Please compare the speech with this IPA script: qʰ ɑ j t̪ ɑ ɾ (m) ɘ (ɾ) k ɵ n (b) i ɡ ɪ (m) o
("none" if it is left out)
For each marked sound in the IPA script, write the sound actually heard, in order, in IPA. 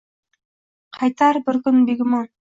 b, ɾ, b, m

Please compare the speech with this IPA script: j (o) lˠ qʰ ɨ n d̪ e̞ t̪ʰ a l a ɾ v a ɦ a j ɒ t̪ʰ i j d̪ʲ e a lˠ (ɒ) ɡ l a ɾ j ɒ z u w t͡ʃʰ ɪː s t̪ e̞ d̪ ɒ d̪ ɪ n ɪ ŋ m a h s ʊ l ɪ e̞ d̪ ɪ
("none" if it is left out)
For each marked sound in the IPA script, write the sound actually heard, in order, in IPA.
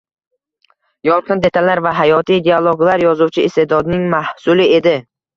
ɒ, o

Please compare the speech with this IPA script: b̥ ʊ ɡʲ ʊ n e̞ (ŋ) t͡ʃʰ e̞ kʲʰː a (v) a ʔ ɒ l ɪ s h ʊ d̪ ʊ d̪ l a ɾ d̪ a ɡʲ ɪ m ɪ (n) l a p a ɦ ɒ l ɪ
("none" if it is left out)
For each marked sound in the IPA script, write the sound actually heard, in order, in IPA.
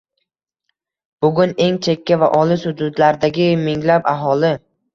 ŋ, v, ŋ

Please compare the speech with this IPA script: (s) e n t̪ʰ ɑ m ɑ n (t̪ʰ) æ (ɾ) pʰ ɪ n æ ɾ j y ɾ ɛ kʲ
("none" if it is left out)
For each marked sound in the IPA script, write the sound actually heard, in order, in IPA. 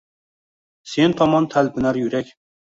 s, t̪ʰ, l

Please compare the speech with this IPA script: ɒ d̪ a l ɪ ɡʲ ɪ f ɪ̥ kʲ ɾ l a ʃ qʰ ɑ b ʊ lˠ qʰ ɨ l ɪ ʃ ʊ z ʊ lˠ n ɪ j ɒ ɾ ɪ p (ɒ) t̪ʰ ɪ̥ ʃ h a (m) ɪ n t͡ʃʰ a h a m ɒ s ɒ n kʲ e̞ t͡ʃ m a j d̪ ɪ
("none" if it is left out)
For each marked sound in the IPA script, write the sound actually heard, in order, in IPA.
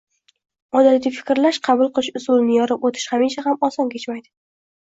o, m

